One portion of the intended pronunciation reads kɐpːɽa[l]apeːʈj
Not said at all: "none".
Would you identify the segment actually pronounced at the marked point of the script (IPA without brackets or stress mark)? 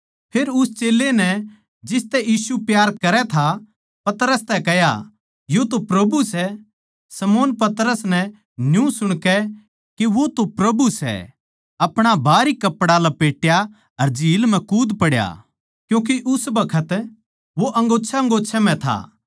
l